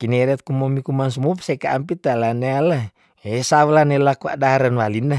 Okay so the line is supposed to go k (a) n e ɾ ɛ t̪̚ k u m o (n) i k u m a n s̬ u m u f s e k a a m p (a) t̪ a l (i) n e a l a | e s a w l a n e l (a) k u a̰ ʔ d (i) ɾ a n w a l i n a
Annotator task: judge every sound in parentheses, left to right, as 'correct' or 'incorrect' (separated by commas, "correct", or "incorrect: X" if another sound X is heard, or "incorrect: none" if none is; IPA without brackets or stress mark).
incorrect: i, incorrect: m, incorrect: i, incorrect: a, correct, incorrect: a